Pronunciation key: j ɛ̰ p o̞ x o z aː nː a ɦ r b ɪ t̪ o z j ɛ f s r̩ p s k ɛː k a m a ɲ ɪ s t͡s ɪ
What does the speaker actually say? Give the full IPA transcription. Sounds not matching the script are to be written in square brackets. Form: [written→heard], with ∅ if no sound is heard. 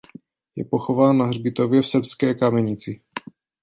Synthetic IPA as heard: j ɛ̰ p o̞ x o [z→v] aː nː a ɦ r b ɪ t̪ o [z→v] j ɛ f s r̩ p s k ɛː k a m [a→ɛ] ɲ ɪ [s→∅] t͡s ɪ

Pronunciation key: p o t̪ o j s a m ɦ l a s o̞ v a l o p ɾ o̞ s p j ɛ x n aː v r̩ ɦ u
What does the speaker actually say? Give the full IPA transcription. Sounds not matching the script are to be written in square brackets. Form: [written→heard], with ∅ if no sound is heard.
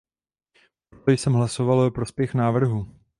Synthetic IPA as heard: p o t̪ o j s [a→ɛ] m ɦ l a s o̞ v a l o p ɾ o̞ s p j ɛ x n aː v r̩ ɦ u

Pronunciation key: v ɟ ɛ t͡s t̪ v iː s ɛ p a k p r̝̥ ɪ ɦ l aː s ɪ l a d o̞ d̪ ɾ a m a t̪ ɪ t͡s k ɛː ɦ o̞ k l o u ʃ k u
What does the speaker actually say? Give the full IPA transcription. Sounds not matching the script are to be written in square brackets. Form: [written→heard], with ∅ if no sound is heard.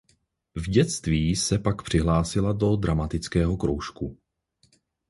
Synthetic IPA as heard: v ɟ ɛ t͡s t̪ v iː s ɛ p a k p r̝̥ ɪ ɦ l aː s ɪ l a d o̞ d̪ ɾ a m a t̪ ɪ t͡s k ɛː ɦ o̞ k [l→ɾ] o [u→w] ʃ k u

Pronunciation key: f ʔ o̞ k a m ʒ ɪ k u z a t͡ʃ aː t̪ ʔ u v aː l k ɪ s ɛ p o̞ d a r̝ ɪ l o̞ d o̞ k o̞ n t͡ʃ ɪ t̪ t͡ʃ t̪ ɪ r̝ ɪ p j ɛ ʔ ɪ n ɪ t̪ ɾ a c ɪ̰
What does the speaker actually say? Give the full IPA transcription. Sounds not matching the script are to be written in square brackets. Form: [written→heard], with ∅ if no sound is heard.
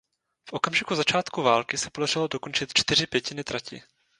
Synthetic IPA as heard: f ʔ o̞ k a m ʒ ɪ k u z a t͡ʃ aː t̪ [ʔ→k] u v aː l k ɪ s ɛ p o̞ d a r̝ ɪ l o̞ d o̞ k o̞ n t͡ʃ ɪ t̪ t͡ʃ t̪ ɪ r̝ ɪ p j ɛ [ʔ→c] ɪ n ɪ t̪ ɾ a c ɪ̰

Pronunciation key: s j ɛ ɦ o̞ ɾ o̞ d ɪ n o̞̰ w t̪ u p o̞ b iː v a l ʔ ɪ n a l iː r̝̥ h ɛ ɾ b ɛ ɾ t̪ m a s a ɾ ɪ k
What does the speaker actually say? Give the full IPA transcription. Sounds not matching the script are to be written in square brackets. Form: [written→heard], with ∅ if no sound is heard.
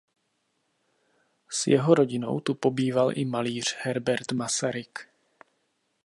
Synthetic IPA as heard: s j ɛ ɦ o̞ ɾ o̞ [d→ɟ] ɪ n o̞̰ w t̪ u p o̞ b iː v a l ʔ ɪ [n→m] a l iː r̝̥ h ɛ ɾ b ɛ ɾ t̪ m a s a ɾ ɪ k

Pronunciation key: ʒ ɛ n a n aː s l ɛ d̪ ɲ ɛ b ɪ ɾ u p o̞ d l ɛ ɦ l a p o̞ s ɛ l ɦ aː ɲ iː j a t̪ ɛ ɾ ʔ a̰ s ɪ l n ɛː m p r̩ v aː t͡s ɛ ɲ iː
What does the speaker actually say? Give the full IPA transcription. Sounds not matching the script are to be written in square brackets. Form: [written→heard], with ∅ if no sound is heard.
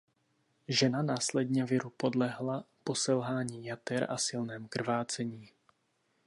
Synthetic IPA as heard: ʒ ɛ n a n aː s l ɛ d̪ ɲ ɛ [b→v] ɪ ɾ u p o̞ d l ɛ ɦ l a p o̞ s ɛ l ɦ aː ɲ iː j a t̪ ɛ ɾ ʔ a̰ s ɪ l n ɛː m [p→k] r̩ v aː t͡s ɛ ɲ iː

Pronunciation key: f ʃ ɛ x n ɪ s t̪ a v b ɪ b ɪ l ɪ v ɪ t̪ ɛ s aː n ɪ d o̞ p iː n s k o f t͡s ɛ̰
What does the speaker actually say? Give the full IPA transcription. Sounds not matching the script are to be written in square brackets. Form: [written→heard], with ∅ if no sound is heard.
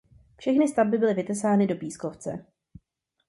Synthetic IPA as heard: f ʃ ɛ x n ɪ s t̪ a v b ɪ b ɪ l ɪ v ɪ t̪ ɛ s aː n ɪ d o̞ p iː [n→∅] s k o f t͡s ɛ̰

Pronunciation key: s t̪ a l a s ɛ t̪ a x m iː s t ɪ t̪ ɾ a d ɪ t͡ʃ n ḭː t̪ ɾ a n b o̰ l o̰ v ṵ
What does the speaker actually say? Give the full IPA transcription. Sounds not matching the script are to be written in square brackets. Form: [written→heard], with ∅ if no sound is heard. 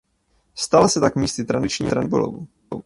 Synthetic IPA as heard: s t̪ a l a s ɛ t̪ a [x→k] m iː s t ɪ t̪ ɾ a d ɪ t͡ʃ [n→ɲ] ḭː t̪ ɾ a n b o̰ l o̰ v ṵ

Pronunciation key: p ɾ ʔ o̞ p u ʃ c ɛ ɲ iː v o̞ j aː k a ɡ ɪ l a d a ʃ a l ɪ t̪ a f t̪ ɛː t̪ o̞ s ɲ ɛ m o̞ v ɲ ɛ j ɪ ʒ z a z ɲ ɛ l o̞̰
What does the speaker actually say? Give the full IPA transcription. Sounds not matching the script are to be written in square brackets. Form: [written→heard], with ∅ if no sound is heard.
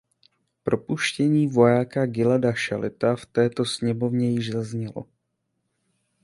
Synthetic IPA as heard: p ɾ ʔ o̞ p u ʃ c ɛ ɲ iː v o̞ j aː k a ɡ ɪ l a d a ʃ a l ɪ t̪ a f t̪ ɛː t̪ o̞ s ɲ ɛ m o̞ v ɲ ɛ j ɪ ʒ z a z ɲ ɛ l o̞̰

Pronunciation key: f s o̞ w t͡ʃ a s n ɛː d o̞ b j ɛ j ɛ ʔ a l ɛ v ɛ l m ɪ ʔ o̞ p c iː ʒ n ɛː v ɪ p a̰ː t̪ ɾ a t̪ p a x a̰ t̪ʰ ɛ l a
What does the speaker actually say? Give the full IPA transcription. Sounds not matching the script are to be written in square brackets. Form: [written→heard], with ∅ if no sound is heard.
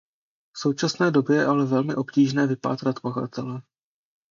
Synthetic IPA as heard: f s o̞ w t͡ʃ a s n ɛː d o̞ b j ɛ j ɛ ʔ a l ɛ v ɛ l m ɪ ʔ o̞ p c iː ʒ n ɛː v ɪ p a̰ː t̪ ɾ a t̪ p a x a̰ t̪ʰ ɛ l [a→ɛ]

